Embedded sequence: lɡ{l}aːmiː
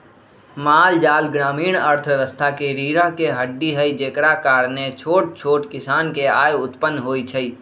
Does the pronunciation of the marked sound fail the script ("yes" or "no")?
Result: yes